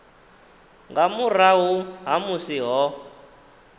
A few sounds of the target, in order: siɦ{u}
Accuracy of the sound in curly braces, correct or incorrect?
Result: incorrect